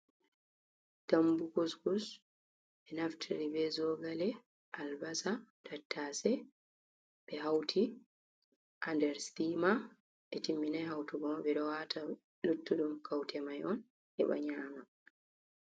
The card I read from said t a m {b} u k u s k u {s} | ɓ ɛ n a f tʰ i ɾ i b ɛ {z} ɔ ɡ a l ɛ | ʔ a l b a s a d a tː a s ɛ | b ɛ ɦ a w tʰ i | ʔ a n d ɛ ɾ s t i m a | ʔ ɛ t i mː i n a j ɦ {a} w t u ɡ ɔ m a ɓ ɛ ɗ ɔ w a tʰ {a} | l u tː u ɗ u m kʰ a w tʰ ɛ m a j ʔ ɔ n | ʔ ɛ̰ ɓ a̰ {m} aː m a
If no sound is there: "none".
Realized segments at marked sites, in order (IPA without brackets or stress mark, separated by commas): b, s, z, a, a, ɲ